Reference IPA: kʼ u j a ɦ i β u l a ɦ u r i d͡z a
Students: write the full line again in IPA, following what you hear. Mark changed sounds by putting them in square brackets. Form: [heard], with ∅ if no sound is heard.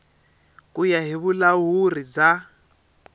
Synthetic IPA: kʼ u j a ɦ i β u l a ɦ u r i d͡z a

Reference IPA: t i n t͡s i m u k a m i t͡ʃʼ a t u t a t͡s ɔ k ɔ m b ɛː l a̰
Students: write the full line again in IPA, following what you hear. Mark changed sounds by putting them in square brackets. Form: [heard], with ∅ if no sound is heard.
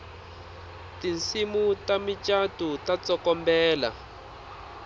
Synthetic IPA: t i n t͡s i m u [t] a m i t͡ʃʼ a t u t a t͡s ɔ k ɔ m b ɛː l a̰

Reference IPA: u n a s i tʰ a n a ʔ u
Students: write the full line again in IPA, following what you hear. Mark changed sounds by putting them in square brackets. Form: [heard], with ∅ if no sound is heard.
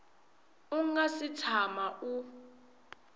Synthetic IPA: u [ŋ] a s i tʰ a [m] a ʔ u

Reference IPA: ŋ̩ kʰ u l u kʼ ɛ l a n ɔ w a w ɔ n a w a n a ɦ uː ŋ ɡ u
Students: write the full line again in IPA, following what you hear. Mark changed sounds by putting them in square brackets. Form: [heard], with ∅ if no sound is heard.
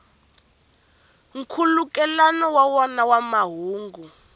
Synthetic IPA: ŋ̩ kʰ u l u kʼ ɛ l a n ɔ w a w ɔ n a w a [m] a ɦ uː ŋ ɡ u

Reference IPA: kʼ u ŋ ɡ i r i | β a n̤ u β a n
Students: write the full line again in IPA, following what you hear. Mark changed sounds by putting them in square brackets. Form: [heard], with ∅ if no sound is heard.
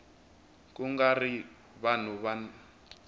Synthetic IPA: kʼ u ŋ ɡ [a] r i | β a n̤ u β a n

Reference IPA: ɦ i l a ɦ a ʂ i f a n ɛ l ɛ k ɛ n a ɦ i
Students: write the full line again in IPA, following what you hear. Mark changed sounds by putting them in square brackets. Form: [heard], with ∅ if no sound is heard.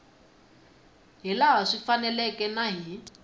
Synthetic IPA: ɦ i l a ɦ a ʂ i f a n ɛ l ɛ k ɛ n a ɦ i

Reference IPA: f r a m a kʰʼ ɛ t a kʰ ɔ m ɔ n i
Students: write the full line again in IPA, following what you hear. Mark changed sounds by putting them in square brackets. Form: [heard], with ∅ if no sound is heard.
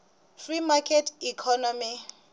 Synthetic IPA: f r [i] m a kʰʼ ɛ t [i] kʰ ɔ [n] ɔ [m] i

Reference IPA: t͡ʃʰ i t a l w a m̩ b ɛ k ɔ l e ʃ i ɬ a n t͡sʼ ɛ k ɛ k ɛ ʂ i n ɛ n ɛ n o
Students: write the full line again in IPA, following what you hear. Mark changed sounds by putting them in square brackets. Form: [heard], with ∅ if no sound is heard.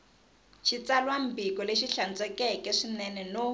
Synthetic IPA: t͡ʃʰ i [t͡s] a l w a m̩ b [i] k ɔ l e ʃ i ɬ a n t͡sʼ ɛ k ɛ k ɛ ʂ i n ɛ n ɛ n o

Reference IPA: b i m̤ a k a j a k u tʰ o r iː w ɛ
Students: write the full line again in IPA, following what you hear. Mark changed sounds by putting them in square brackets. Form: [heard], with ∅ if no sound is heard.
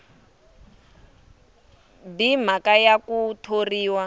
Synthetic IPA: b i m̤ a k a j a k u tʰ o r iː w [a]

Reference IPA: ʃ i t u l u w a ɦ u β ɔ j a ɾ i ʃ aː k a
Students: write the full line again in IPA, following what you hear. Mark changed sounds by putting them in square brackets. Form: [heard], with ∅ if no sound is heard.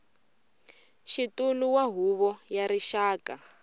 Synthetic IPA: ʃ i t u l u w a ɦ u β ɔ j a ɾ i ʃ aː k a

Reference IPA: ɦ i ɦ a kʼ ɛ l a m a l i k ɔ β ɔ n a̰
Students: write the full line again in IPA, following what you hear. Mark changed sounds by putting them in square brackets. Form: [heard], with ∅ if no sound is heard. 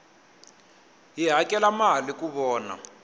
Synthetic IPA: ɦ i ɦ a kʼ ɛ l a m a l i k [u] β [ɔː] n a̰

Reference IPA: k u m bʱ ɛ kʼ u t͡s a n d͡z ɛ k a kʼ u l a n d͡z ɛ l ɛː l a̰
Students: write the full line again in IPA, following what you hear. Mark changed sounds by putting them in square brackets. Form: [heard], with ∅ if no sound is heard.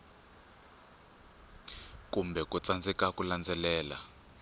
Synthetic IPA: k u m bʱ ɛ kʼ u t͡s a n d͡z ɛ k a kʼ u l a n d͡z ɛ l ɛː l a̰

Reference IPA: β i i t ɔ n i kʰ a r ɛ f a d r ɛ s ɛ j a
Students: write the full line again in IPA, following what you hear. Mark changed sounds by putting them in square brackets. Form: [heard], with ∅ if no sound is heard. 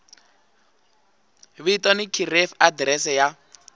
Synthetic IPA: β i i t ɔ n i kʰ [i] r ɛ f a d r ɛ s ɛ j a

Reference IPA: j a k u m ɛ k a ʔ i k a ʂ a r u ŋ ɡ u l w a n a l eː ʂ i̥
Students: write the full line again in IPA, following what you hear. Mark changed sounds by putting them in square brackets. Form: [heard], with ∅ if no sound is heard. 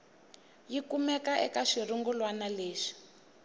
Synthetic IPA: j [i] k u m ɛ k a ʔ [ɛ] k a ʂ [i] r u ŋ ɡ u l w a n a l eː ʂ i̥

